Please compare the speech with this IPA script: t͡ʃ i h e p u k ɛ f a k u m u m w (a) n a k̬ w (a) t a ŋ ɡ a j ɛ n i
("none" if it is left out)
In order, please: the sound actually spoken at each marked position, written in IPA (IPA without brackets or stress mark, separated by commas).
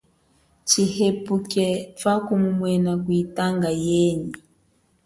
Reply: ɛ, i